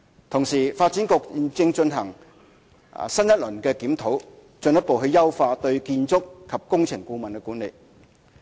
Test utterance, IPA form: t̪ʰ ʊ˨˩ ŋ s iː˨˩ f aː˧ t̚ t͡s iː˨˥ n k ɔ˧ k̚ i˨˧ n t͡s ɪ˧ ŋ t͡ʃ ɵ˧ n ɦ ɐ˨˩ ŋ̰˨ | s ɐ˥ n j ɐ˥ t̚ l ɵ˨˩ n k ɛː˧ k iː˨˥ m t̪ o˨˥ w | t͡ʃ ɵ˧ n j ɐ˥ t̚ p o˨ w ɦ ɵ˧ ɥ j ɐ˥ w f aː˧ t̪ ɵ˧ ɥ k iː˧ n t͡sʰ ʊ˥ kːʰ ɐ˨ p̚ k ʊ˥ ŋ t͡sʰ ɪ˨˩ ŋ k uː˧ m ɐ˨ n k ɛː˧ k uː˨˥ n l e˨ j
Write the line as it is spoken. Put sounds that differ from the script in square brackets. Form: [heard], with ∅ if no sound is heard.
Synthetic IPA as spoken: t̪ʰ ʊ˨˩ ŋ s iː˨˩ f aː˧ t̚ t͡s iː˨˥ n k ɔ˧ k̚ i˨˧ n t͡s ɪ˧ ŋ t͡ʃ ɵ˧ n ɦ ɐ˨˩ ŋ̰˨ | s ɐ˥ n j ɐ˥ t̚ l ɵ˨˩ n k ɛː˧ k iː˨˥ m [t̪ʰ] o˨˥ w | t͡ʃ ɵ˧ n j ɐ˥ t̚ p o˨ w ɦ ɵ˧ ɥ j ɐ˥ w f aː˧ t̪ ɵ˧ ɥ k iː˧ n [t͡s] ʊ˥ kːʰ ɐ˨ p̚ k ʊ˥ ŋ t͡sʰ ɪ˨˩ ŋ k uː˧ m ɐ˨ n k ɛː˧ k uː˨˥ n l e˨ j